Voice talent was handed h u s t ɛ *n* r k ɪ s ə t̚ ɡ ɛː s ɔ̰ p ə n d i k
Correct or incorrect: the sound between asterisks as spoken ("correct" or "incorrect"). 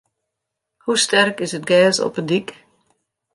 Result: incorrect